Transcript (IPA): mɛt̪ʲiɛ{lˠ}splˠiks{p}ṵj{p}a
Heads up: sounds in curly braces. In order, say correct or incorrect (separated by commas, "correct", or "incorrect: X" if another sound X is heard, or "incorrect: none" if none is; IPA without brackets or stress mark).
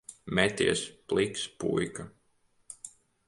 incorrect: none, correct, incorrect: k